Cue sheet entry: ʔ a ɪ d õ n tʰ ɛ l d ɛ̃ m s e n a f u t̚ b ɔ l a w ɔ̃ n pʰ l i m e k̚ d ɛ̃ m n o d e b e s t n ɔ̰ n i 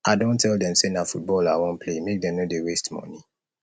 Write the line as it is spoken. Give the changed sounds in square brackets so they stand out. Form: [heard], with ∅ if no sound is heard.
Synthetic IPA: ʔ a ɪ d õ n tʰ ɛ l d ɛ̃ m s e n a f u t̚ b ɔ l a w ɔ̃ n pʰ l [e] m e k̚ d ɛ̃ m n o d e [w] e s t [m] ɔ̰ n i